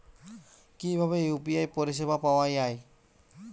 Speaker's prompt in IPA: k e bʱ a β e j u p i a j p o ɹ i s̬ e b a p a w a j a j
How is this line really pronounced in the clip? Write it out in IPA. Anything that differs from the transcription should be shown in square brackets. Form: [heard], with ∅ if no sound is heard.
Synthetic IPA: k [i] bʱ a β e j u p i a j p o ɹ i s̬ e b a p a w a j a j